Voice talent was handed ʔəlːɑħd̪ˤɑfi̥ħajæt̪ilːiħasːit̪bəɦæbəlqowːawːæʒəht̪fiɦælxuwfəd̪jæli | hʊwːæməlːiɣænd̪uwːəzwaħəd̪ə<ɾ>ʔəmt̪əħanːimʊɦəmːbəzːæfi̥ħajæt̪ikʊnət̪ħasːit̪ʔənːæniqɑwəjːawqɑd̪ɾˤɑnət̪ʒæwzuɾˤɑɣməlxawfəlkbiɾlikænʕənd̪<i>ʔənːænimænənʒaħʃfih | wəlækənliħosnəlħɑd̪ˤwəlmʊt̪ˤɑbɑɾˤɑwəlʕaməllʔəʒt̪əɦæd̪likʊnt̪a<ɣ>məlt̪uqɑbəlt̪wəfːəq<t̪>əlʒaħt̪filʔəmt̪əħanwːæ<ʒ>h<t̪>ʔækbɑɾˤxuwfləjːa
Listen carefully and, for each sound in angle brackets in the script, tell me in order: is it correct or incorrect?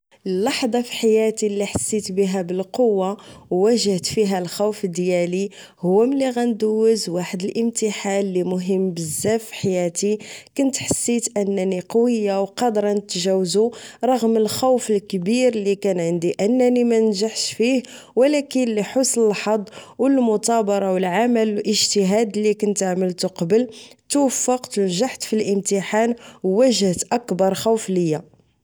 incorrect, correct, incorrect, correct, correct, correct

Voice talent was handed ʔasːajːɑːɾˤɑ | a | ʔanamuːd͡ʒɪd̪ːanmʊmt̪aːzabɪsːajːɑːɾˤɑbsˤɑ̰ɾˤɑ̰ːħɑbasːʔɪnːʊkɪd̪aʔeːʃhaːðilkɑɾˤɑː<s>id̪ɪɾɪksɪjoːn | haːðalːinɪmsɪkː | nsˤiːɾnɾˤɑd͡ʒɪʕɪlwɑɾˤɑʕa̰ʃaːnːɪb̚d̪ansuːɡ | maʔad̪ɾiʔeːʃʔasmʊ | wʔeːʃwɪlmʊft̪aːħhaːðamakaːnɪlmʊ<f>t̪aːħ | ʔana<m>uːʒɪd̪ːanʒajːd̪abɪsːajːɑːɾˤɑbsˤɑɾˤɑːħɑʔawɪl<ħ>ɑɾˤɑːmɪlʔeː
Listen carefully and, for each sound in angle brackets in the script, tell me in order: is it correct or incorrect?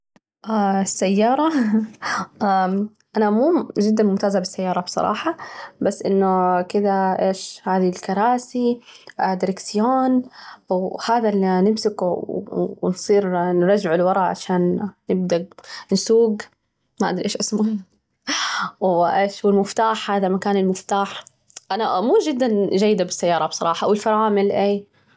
correct, correct, correct, incorrect

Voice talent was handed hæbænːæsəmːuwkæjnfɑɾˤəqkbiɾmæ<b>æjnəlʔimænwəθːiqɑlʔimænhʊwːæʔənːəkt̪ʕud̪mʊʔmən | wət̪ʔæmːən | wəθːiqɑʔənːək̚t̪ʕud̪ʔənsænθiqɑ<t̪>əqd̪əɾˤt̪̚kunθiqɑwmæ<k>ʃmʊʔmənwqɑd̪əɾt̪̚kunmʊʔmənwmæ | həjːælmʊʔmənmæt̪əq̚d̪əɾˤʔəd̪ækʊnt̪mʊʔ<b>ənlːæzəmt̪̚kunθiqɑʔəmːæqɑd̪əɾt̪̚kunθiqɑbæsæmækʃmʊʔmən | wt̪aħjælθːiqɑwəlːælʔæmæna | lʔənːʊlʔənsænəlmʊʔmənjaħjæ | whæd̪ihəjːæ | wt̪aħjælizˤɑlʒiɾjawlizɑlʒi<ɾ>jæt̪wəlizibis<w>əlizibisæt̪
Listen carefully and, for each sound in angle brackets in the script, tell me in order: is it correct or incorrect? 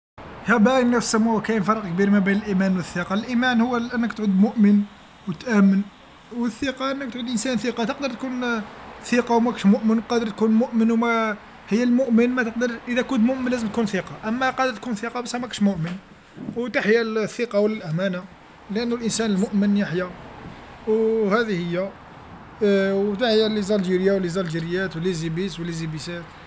correct, correct, correct, incorrect, correct, correct

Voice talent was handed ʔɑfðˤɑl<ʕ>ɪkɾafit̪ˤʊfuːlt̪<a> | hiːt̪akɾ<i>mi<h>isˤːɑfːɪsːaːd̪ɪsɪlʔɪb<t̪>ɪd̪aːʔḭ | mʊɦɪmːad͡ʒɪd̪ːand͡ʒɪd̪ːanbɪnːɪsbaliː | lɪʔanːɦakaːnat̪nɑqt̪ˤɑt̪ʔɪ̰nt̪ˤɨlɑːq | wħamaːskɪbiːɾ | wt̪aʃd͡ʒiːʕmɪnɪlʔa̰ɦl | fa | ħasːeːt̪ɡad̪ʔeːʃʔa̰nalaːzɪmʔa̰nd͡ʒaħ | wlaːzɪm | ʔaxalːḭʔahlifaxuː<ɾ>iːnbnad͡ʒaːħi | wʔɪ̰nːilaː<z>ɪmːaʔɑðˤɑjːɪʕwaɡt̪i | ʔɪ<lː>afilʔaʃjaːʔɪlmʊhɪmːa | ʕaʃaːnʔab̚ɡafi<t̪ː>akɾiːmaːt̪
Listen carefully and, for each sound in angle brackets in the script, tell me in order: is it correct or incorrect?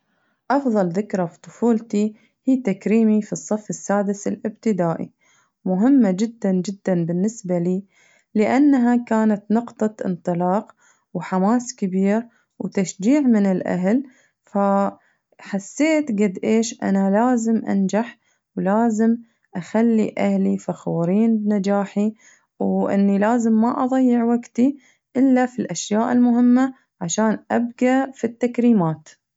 incorrect, incorrect, incorrect, incorrect, correct, correct, correct, correct, correct

